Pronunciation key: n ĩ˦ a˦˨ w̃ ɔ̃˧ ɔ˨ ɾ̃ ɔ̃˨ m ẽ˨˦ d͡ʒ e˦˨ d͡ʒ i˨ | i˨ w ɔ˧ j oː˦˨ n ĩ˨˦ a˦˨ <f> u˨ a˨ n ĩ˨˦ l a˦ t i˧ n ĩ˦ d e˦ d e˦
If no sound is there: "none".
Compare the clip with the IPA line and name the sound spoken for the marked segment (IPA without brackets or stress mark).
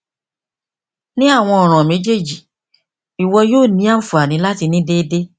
f